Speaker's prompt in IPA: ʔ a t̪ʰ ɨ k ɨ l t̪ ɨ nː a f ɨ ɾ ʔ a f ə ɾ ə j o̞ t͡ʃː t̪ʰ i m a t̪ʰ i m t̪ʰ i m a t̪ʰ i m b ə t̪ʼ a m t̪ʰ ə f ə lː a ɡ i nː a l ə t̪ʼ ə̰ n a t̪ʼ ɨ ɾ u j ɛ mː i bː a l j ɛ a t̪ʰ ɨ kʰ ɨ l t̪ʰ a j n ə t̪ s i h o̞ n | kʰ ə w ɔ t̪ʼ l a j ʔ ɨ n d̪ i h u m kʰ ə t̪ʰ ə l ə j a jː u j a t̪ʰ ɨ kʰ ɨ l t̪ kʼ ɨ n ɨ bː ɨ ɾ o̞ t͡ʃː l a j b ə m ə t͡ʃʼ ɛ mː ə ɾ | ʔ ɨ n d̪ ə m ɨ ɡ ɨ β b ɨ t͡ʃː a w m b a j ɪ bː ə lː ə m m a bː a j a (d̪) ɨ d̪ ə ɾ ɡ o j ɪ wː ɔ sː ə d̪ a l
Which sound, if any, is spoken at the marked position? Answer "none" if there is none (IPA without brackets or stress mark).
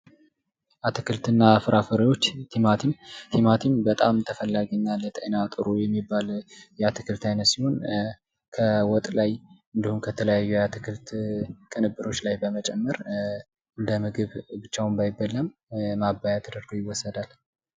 t̪